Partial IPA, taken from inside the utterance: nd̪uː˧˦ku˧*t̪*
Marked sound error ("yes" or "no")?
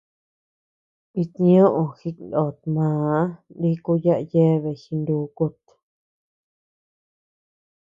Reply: no